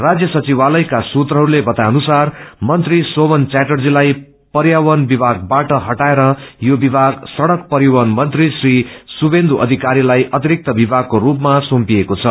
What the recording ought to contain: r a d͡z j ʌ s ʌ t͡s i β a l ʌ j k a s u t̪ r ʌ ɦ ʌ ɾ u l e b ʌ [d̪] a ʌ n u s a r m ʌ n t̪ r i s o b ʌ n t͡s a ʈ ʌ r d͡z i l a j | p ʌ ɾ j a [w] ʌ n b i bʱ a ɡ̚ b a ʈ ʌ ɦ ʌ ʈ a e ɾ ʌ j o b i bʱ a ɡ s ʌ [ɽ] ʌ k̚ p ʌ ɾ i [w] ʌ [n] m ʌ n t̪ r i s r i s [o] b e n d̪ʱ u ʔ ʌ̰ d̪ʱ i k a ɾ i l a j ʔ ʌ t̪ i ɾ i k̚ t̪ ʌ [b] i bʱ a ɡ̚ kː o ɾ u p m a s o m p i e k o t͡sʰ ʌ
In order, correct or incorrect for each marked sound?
incorrect, correct, correct, correct, correct, incorrect, correct

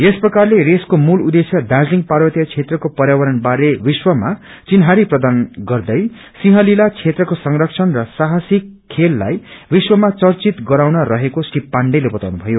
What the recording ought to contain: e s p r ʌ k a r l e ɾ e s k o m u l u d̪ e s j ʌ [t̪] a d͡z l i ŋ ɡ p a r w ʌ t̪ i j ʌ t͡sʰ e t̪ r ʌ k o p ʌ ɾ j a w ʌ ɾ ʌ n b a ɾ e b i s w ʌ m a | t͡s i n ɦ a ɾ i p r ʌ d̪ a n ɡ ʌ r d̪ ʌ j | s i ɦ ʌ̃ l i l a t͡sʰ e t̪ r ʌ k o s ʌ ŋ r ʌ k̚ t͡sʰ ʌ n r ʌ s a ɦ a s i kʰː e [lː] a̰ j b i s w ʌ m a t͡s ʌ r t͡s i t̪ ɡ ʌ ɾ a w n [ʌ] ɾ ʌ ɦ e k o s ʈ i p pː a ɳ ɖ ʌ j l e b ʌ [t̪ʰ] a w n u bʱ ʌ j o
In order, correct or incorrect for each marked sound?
incorrect, correct, correct, incorrect

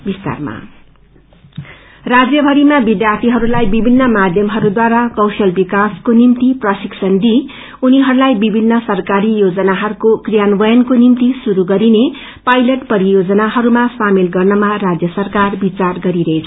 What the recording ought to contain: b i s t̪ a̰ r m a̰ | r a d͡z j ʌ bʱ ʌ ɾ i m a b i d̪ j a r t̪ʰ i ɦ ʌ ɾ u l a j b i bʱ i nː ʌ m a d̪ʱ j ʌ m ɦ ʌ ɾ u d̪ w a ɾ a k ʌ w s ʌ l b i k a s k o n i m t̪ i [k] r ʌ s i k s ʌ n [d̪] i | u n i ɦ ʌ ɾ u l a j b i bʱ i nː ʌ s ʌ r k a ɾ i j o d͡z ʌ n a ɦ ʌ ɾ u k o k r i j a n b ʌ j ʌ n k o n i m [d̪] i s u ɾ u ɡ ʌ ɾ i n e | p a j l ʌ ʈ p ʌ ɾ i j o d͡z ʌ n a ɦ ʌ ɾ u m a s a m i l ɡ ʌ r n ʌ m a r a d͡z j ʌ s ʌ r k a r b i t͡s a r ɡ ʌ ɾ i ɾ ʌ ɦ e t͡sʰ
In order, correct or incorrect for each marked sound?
incorrect, correct, incorrect

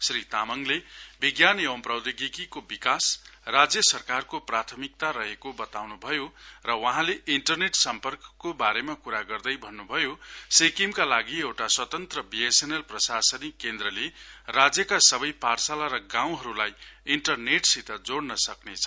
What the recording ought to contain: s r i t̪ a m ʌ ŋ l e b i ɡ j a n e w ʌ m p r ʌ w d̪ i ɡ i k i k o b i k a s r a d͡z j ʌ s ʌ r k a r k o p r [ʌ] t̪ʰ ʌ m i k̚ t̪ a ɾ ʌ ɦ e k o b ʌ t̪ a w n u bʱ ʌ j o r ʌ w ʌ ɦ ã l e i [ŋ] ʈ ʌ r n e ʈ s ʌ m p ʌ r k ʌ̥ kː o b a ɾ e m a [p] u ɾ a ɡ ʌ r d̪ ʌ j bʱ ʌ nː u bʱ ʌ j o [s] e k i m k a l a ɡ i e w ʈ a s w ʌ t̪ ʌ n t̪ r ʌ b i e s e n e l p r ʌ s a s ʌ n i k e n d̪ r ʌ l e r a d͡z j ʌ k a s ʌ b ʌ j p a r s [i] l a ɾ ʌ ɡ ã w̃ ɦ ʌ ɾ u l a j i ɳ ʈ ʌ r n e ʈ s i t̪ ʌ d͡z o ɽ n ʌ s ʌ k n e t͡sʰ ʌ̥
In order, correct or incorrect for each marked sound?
incorrect, incorrect, incorrect, correct, incorrect

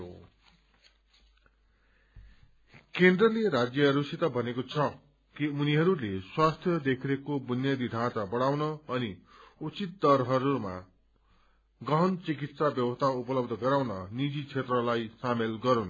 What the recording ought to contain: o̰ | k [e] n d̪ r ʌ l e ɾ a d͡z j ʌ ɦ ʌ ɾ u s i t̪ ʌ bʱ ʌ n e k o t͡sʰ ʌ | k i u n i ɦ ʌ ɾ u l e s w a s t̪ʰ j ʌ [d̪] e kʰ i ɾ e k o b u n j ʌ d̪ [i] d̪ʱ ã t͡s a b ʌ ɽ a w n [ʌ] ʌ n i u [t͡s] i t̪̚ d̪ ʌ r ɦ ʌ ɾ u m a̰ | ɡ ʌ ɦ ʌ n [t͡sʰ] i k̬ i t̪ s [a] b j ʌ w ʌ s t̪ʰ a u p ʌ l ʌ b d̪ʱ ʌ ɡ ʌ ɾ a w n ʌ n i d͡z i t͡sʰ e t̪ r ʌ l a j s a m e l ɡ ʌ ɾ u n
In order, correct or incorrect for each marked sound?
correct, correct, correct, correct, correct, incorrect, correct

